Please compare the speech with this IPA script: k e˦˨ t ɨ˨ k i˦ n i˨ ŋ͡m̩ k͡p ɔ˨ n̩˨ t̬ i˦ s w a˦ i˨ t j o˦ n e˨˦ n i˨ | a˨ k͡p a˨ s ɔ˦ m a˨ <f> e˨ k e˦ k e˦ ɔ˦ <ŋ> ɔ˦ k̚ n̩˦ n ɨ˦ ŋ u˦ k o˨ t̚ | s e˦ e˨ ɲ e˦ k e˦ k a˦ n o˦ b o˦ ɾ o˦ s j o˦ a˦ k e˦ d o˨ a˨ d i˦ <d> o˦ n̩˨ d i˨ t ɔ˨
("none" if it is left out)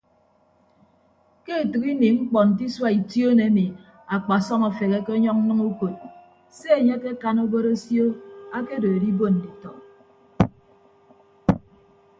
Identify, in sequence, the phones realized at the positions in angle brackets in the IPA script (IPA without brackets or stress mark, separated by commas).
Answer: f, ɲ, b